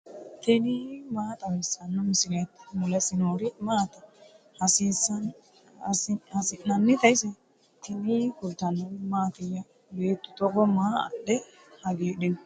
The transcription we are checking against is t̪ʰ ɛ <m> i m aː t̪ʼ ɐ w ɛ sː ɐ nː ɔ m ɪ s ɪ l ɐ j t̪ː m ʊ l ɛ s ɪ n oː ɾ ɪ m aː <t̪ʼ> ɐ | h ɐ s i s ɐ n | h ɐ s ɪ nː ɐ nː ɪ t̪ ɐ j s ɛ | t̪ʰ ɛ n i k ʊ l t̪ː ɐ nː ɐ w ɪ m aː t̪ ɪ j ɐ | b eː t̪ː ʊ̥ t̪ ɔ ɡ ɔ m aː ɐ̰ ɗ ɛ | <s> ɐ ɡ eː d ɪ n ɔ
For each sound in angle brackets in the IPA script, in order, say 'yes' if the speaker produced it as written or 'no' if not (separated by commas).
no, no, no